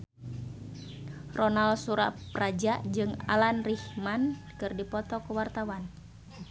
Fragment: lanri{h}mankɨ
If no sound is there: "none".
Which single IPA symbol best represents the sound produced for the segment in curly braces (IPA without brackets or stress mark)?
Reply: h